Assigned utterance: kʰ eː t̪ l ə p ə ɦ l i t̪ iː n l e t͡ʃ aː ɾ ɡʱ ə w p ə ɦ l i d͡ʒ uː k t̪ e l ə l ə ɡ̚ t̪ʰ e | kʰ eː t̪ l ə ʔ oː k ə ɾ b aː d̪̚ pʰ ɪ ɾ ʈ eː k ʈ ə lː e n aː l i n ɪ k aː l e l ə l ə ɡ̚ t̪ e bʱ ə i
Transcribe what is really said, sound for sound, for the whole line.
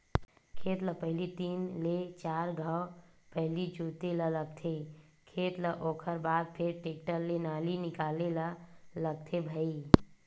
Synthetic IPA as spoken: kʰ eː t̪ l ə p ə ɦ l i t̪ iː n l e t͡ʃ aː ɾ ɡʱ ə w p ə ɦ l i d͡ʒ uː t̪ e l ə l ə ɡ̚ t̪ʰ e | kʰ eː t̪ l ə ʔ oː kʰ ə ɾ b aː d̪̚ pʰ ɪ ɾ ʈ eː k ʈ ə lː e n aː l i n ɪ k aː l e l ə l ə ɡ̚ t̪ʰ e bʱ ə i